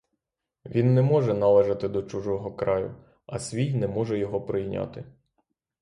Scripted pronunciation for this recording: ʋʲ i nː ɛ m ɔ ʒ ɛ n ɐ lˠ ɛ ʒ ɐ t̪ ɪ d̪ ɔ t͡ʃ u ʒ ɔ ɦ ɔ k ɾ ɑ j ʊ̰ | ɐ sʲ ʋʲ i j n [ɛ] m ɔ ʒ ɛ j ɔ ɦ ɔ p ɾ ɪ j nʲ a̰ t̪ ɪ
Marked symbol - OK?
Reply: yes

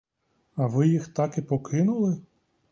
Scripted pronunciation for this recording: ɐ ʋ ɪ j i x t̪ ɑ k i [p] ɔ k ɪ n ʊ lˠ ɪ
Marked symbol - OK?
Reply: yes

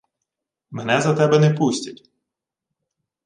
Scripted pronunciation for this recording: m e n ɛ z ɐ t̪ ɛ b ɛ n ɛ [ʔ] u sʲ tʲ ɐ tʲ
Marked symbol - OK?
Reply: no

